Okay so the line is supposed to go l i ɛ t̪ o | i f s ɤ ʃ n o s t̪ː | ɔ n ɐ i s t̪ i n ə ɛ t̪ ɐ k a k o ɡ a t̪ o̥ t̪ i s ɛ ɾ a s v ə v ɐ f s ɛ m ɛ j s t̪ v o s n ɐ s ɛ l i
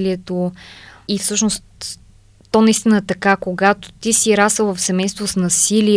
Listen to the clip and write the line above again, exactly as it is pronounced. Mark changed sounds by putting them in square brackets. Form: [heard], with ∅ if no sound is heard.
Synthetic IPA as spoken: l i ɛ t̪ o | i f s ɤ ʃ n o s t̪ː | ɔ n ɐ i s t̪ i n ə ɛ t̪ ɐ k a k o ɡ a t̪ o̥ t̪ i s [i] ɾ a s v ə v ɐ f s ɛ m ɛ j s t̪ v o s n ɐ s [i] l i